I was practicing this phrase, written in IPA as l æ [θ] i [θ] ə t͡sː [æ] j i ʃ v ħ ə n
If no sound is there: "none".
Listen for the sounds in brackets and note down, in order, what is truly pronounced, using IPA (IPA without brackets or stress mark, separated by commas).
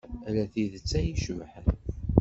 θ, ð, æ